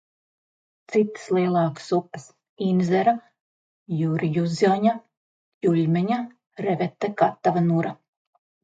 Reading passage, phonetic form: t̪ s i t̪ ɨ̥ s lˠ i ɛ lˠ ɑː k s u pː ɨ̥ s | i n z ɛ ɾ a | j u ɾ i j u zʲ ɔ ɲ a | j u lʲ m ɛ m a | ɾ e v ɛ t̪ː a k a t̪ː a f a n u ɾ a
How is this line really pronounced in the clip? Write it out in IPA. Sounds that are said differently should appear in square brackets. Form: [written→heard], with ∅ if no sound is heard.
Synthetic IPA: t̪ s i t̪ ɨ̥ s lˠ i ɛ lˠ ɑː k s u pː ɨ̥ s | i n z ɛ ɾ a | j u ɾ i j u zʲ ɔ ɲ a | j u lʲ m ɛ [m→ɲ] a | ɾ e v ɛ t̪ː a k a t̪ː a [f→v] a n u ɾ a

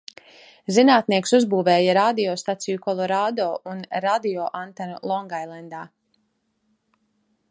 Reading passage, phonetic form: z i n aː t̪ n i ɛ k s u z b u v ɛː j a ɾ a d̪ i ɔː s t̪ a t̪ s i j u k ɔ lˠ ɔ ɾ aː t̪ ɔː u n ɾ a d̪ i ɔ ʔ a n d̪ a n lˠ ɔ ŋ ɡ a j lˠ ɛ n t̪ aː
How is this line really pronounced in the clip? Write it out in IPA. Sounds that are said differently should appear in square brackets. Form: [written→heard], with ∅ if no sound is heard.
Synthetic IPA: z i n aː t̪ n i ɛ k s u z b [u→uː] v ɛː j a ɾ a d̪ i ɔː s t̪ a t̪ s i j u k ɔ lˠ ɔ ɾ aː [t̪→d̪] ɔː u n ɾ a d̪ i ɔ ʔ a n [d̪→t̪] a n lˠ ɔ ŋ ɡ a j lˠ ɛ n [t̪→d̪] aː

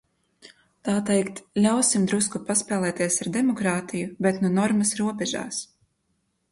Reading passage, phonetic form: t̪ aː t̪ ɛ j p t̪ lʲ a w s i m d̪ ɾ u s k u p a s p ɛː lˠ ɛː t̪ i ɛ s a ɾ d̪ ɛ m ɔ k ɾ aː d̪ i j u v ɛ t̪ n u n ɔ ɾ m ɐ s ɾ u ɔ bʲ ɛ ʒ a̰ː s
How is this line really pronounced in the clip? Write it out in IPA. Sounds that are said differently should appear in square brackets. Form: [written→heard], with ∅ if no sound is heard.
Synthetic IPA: t̪ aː t̪ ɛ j [p→k] t̪ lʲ a w s i m d̪ ɾ u s k u p a s p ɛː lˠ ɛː t̪ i ɛ s a ɾ d̪ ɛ m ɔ k ɾ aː [d̪→t̪] i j u [v→b] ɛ t̪ n u n ɔ ɾ m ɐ s ɾ u ɔ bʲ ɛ ʒ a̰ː s

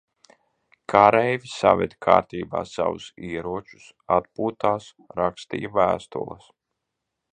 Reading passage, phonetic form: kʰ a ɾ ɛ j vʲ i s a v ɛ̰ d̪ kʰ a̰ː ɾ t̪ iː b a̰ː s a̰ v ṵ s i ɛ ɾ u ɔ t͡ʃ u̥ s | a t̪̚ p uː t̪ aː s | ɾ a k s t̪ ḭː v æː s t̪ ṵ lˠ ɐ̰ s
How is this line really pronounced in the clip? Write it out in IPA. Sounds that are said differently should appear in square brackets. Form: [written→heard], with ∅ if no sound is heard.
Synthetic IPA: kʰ a ɾ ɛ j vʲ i s a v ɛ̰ d̪ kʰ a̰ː ɾ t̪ iː b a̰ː s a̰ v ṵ s i ɛ ɾ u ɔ t͡ʃ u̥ s | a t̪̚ p uː t̪ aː s | ɾ a k s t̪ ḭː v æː s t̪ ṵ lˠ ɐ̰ s

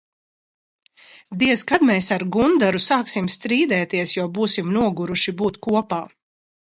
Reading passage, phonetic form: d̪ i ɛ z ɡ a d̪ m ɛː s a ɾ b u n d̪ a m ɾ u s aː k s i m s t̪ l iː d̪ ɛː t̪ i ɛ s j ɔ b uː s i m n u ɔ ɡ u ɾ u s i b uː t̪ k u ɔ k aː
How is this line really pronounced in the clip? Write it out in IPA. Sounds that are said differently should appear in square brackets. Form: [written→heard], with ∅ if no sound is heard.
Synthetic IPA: d̪ i ɛ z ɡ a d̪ m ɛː s a ɾ [b→ɡ] u n d̪ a [m→∅] ɾ u s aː k s i m s t̪ [l→ɾ] iː d̪ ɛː t̪ i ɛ s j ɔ b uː s i m n u ɔ ɡ u ɾ u [s→ʃ] i b uː t̪ k u ɔ [k→p] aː

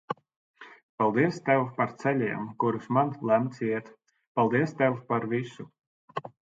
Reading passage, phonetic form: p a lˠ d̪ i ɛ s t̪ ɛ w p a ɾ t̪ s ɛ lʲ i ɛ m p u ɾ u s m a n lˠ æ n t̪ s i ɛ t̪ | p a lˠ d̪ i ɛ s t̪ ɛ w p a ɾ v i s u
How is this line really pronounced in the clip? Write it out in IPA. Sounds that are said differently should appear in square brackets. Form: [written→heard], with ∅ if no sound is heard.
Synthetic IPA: p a lˠ d̪ i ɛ s t̪ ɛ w p a ɾ t̪ s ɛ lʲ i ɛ m [p→k] u ɾ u s m a n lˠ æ [n→m] t̪ s i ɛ t̪ | p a lˠ d̪ i ɛ s t̪ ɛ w p a ɾ v i s u

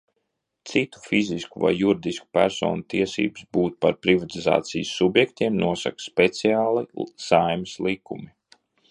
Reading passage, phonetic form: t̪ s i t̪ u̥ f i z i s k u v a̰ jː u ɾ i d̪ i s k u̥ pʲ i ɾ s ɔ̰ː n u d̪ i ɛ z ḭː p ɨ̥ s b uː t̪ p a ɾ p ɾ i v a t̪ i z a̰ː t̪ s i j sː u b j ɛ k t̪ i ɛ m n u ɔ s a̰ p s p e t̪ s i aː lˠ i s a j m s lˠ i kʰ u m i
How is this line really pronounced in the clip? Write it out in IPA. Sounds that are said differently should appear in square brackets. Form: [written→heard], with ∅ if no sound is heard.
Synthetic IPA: t̪ s i t̪ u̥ f i z i s k u v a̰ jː u ɾ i d̪ i s k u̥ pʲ [i→æ] ɾ s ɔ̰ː n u [d̪→t̪] i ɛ [z→s] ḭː [p→b] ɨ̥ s b uː t̪ p a ɾ p ɾ i v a t̪ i z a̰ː t̪ s i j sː u b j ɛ k t̪ i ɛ m n u ɔ s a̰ [p→k] s p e t̪ s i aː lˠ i s a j m s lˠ i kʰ u m i

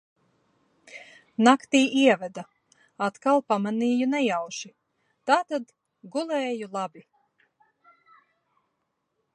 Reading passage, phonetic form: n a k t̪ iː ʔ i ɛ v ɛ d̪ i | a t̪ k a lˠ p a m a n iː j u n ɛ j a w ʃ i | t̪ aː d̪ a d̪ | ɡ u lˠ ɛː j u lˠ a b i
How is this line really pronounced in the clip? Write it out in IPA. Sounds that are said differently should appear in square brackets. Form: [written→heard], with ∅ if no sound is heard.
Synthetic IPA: n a k t̪ iː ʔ i ɛ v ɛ d̪ [i→a] | a t̪ k a lˠ p a m a n iː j u n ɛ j a w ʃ i | t̪ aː [d̪→t̪] a d̪ | ɡ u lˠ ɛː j u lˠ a b i

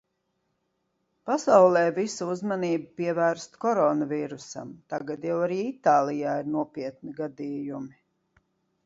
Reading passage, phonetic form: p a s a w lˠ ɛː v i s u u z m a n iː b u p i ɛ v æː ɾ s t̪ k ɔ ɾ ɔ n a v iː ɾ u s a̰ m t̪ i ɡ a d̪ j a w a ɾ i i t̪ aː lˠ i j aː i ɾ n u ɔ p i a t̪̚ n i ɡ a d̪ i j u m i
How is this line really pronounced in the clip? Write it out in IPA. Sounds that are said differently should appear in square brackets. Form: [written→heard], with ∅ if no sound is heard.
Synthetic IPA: p a s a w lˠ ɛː v i s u u z m a n iː b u p i ɛ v æː ɾ s t̪ k ɔ ɾ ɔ n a v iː ɾ u s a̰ m t̪ [i→a] ɡ a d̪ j a w a ɾ [i→iː] i t̪ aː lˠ i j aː i ɾ n u ɔ p i [a→ɛ] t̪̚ n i ɡ a d̪ [i→iː] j u m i

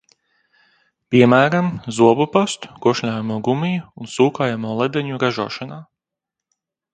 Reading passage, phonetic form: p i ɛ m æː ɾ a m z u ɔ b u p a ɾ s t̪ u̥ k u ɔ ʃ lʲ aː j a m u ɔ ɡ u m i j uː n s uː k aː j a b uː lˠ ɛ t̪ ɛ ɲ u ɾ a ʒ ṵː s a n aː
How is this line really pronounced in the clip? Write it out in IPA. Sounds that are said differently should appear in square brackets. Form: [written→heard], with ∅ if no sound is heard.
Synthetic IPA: p i ɛ m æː ɾ a m z u ɔ b u p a [ɾ→∅] s t̪ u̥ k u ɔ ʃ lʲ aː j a m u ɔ ɡ u m i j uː n s uː k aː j a [b→m] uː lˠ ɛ [t̪→d̪] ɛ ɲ u ɾ a ʒ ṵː [s→ʃ] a n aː

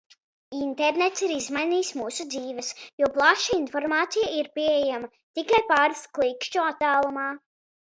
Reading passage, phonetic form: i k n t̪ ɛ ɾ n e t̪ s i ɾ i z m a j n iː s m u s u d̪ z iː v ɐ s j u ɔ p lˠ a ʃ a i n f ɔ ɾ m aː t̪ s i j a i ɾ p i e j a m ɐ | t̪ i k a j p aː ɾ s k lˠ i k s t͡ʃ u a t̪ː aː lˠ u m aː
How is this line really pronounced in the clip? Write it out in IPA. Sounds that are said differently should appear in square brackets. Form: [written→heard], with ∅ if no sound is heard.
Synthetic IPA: i [k→∅] n t̪ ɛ ɾ n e t̪ s i ɾ i z m a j n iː s m [u→uː] s u d̪ z iː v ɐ s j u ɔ p lˠ a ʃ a i n f ɔ ɾ m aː t̪ s i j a i ɾ p i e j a m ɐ | t̪ i k a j p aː ɾ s k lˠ i k [s→ʃ] t͡ʃ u a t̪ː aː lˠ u m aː

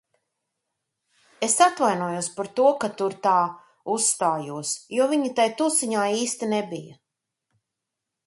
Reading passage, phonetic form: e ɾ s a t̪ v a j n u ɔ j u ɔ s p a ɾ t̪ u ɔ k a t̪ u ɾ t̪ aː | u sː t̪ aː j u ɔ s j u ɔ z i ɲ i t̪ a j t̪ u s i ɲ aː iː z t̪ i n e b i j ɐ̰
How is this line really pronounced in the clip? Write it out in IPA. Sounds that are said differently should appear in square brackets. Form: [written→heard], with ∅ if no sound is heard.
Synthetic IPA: e [ɾ→∅] s a t̪ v a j n u ɔ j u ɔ s p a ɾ t̪ u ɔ k a t̪ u ɾ t̪ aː | u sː t̪ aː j u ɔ s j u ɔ [z→v] i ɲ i t̪ a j t̪ u s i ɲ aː iː [z→s] t̪ i n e b i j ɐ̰

